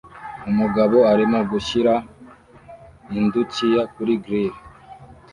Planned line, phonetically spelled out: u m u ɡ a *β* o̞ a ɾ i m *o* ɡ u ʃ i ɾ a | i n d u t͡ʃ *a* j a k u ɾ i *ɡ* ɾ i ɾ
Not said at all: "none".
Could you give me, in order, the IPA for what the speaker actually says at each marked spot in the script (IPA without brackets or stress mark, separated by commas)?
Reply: β, o, i, ɡ